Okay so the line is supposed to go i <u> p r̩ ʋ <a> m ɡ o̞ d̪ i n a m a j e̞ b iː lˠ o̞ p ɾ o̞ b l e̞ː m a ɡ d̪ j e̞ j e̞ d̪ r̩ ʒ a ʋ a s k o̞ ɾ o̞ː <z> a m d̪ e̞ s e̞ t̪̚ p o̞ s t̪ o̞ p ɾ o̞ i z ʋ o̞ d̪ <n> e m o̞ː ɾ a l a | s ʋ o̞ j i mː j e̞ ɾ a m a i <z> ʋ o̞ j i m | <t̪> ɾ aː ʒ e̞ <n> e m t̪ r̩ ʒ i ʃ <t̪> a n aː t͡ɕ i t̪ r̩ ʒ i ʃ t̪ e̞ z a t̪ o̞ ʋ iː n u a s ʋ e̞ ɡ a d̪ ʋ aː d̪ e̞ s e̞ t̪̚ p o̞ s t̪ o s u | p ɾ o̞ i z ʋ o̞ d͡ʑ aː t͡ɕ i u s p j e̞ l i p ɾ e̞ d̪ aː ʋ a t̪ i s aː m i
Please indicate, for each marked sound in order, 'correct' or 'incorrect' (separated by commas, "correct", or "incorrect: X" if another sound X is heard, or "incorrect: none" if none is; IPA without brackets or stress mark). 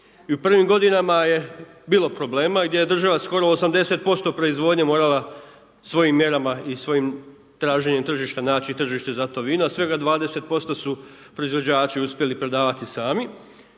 correct, incorrect: i, incorrect: s, incorrect: ɲ, incorrect: s, correct, incorrect: ɲ, correct